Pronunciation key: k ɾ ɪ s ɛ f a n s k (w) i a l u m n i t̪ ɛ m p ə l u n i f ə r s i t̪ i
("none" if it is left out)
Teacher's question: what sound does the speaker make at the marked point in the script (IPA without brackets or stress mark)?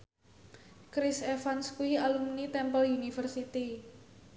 u